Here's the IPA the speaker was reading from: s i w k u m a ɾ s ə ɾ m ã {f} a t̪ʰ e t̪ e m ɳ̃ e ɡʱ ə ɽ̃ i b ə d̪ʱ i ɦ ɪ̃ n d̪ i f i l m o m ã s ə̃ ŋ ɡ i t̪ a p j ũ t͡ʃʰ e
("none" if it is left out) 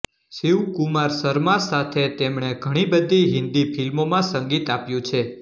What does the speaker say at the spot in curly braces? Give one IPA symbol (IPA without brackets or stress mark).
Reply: s